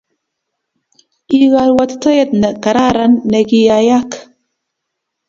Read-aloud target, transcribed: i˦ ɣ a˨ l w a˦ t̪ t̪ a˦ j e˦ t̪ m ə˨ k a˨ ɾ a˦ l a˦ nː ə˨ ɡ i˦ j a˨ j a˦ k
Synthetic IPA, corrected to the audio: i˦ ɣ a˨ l w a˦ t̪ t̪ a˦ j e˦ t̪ n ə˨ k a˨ ɾ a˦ ɾ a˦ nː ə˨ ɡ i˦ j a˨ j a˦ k